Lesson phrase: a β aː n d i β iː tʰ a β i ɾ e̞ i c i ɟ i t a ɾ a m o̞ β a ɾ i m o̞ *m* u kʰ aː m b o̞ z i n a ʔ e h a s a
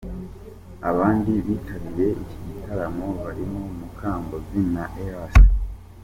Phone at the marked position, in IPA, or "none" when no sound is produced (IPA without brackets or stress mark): m